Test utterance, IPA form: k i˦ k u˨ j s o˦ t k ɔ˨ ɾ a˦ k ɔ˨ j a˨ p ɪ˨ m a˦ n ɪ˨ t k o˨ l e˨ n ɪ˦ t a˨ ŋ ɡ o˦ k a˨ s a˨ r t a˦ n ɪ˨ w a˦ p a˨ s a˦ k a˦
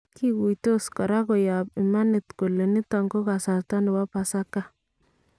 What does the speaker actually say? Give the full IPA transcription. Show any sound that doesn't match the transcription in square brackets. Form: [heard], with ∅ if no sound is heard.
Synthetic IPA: k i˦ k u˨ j [t] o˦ [s] k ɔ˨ ɾ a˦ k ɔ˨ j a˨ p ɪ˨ m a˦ n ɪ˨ t k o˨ l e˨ n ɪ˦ t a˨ ŋ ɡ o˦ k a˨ s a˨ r t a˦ n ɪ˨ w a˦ p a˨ s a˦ k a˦